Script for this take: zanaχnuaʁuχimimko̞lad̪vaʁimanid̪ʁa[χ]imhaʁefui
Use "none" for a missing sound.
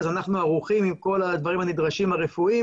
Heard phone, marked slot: ʃ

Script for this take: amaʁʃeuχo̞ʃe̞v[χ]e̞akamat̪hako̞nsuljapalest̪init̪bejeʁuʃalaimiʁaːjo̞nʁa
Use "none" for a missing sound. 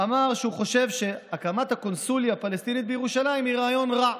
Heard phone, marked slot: ʃ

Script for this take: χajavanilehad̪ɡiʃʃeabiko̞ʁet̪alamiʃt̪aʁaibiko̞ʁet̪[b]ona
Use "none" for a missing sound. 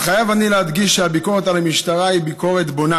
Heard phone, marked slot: b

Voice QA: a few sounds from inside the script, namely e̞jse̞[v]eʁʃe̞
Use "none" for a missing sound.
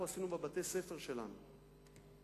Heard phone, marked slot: f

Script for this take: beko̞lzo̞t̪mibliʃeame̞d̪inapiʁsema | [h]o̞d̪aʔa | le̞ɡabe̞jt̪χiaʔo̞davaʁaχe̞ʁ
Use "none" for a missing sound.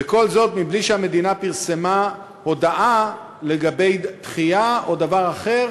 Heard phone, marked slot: h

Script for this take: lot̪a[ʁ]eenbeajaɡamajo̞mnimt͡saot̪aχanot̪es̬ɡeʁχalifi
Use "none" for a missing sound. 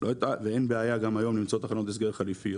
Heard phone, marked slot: v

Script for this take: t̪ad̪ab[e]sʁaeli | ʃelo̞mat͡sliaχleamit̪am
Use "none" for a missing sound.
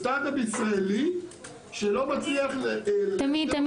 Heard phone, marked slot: i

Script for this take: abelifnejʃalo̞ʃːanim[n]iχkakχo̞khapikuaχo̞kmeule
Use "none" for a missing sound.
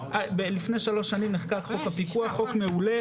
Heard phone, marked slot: n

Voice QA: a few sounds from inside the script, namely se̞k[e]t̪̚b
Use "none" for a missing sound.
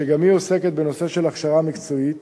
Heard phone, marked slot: e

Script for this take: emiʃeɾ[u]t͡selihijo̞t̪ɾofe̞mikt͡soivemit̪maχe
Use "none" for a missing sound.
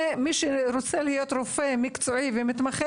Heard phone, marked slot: o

